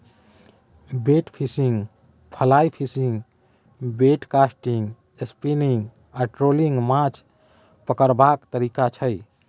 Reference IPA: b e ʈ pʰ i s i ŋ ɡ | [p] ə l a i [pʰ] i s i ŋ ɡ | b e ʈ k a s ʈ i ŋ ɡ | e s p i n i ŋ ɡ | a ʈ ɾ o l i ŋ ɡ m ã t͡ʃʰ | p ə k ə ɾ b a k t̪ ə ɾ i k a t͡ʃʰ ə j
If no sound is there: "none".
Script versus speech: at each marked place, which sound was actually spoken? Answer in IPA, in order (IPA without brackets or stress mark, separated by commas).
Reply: pʰ, pʰ